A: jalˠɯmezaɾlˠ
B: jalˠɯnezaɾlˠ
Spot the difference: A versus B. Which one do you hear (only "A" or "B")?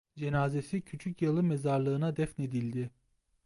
A